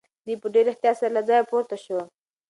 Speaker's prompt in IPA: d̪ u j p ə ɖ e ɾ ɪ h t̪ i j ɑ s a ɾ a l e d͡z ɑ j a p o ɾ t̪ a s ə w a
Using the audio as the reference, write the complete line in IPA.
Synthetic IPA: d̪ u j p ə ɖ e ɾ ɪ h t̪ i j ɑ s a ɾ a l a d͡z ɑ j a p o ɾ t̪ a ʃ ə w a